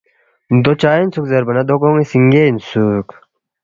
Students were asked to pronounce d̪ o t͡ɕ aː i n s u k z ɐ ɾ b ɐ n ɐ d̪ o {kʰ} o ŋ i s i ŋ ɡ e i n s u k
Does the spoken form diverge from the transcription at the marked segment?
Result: yes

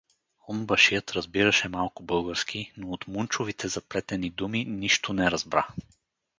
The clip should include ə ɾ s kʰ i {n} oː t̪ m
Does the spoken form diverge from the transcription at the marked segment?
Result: no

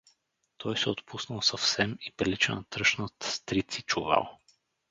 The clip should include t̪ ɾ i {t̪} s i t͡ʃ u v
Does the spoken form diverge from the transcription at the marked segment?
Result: no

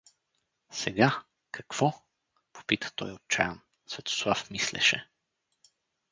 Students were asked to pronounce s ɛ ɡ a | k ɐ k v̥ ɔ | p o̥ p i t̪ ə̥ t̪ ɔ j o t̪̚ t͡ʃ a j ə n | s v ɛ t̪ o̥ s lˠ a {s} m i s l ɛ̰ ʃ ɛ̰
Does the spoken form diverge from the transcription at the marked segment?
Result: yes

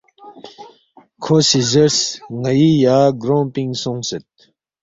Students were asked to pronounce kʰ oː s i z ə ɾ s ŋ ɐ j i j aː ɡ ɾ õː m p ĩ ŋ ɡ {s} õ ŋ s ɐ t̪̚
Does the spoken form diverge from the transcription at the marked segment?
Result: no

